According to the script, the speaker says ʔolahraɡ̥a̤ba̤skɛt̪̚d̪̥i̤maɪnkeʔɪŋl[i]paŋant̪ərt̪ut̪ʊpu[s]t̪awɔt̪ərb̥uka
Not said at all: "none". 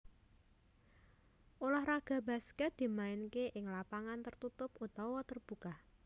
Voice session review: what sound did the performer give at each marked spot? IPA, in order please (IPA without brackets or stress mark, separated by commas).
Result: a, none